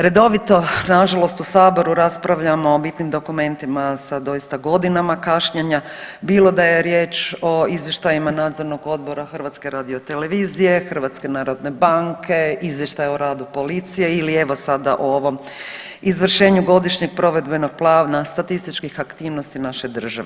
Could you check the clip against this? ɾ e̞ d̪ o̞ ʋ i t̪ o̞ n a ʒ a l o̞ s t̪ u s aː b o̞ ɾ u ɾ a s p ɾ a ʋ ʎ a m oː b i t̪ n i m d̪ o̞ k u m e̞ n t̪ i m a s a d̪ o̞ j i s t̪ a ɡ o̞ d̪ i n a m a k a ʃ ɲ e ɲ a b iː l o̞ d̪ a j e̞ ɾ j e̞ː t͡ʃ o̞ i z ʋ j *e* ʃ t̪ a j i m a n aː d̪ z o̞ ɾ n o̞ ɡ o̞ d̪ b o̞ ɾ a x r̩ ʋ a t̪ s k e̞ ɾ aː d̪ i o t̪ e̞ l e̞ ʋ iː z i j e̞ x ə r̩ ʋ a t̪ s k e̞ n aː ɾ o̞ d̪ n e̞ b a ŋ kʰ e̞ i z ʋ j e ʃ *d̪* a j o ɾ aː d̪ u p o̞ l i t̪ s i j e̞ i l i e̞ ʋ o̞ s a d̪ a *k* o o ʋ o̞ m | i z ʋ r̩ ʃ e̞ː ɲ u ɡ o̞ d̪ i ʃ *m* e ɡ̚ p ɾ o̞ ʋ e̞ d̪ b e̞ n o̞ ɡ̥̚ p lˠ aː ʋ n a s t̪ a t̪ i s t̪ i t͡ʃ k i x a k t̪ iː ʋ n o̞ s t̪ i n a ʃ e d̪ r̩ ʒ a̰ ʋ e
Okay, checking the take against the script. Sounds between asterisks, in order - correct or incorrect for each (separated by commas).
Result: correct, incorrect, incorrect, incorrect